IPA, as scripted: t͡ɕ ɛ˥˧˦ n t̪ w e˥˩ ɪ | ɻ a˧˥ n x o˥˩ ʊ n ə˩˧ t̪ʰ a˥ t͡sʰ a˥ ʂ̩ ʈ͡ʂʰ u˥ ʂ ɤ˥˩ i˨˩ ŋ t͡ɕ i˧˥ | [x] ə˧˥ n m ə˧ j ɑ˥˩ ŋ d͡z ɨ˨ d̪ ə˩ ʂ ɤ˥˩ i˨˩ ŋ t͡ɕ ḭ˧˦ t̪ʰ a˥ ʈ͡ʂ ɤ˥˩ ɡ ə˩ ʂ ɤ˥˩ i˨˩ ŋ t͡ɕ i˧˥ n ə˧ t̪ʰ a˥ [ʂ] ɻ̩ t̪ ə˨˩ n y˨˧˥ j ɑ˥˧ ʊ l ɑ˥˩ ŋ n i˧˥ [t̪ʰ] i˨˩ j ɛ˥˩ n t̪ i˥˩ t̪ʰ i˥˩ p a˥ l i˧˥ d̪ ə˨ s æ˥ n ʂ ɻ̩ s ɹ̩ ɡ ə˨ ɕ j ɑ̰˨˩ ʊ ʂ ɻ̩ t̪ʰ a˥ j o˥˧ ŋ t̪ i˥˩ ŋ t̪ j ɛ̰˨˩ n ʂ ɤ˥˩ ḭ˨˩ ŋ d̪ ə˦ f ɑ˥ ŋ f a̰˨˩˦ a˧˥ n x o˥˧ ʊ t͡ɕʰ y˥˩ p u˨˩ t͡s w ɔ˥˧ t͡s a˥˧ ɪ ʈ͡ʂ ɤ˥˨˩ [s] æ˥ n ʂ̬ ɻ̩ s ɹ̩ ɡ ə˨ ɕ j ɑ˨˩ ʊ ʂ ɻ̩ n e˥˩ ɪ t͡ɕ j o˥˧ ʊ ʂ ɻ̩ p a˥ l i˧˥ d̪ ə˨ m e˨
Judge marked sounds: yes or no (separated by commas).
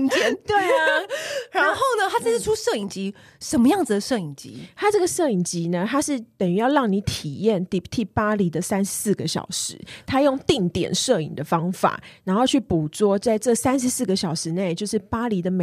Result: no, yes, yes, yes